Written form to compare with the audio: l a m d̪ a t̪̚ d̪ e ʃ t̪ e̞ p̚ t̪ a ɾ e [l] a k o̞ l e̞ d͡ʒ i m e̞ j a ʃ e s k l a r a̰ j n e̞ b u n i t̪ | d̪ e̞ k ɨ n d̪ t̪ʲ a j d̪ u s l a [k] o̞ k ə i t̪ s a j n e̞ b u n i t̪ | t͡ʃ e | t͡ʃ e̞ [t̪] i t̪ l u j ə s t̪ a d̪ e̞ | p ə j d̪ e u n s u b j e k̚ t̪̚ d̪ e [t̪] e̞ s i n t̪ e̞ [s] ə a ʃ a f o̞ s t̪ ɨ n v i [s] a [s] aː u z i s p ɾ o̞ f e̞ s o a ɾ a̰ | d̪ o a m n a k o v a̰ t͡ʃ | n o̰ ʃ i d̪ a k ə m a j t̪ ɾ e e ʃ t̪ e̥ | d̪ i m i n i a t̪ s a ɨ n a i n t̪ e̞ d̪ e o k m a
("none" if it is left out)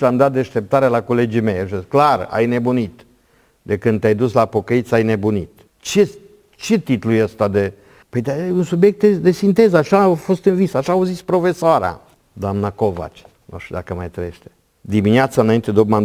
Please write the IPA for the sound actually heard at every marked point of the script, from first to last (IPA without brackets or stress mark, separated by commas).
l, p, t̪, d̪, z, s, ʃ